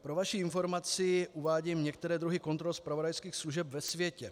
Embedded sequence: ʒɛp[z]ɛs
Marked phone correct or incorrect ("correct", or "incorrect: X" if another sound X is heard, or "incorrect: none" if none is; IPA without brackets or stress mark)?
incorrect: v